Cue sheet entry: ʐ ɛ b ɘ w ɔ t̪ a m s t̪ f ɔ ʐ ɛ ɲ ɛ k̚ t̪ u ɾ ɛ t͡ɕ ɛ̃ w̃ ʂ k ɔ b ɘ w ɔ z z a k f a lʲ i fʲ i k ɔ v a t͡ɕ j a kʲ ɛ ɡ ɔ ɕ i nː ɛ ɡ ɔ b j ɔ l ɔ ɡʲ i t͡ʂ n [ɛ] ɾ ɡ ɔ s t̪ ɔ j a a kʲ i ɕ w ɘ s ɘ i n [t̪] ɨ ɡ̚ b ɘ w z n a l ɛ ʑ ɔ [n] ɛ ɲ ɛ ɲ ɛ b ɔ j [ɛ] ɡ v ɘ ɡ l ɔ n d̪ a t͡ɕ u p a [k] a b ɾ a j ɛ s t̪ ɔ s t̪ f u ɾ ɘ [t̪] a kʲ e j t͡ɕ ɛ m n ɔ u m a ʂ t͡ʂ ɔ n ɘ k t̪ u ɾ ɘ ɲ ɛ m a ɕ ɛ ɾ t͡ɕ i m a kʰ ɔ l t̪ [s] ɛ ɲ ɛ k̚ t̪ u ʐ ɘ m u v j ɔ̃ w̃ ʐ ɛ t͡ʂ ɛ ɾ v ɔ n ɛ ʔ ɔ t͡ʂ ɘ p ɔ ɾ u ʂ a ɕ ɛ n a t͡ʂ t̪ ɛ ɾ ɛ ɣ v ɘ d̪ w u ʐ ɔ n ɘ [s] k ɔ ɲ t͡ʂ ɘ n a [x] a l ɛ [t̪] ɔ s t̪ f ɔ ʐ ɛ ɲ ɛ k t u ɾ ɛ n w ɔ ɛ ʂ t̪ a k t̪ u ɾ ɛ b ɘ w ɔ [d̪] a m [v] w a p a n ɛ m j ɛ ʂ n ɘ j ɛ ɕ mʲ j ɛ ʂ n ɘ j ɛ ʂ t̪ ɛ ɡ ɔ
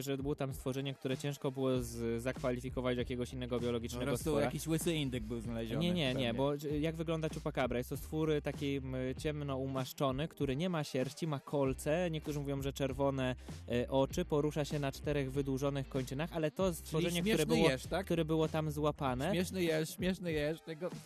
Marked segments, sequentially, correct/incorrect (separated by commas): correct, incorrect, incorrect, incorrect, correct, correct, correct, incorrect, correct, correct, incorrect, incorrect